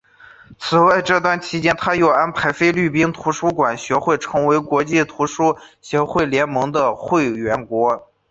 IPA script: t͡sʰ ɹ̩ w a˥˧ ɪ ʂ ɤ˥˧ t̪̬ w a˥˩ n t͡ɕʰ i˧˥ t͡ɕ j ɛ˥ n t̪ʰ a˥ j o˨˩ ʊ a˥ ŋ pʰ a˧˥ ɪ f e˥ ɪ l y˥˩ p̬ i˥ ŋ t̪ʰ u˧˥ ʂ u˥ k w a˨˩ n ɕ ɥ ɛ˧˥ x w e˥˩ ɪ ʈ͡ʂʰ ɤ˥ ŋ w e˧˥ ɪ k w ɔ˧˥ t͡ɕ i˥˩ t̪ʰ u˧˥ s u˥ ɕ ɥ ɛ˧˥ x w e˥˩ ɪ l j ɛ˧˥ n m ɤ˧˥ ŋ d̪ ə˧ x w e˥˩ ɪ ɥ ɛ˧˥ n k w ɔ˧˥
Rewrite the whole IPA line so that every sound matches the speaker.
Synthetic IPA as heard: t͡sʰ ɹ̩ w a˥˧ ɪ ʈ͡ʂ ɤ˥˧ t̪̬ w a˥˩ n t͡ɕʰ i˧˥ t͡ɕ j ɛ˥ n t̪ʰ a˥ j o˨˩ ʊ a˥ n pʰ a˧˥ ɪ f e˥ ɪ l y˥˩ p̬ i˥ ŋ t̪ʰ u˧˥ ʂ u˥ k w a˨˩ n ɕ ɥ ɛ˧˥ x w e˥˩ ɪ ʈ͡ʂʰ ɤ˧˥ ŋ w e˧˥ ɪ k w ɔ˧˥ t͡ɕ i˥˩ t̪ʰ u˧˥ ʂ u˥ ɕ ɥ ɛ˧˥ x w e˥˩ ɪ l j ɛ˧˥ n m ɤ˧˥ ŋ d̪ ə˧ x w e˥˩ ɪ ɥ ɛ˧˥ n k w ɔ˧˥